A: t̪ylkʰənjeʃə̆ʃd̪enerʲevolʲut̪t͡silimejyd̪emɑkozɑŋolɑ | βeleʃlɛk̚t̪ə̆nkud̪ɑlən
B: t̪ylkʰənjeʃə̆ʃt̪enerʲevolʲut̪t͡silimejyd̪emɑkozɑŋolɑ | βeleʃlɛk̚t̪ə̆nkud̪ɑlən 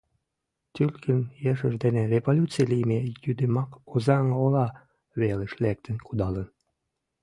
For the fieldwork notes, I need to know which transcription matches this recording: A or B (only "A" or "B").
A